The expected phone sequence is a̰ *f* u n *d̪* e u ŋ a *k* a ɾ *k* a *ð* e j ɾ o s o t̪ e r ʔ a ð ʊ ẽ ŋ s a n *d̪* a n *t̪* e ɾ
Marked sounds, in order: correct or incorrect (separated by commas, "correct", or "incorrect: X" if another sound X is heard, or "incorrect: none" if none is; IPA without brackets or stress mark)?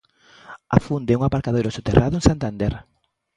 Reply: correct, correct, incorrect: p, correct, correct, incorrect: t̪, incorrect: d̪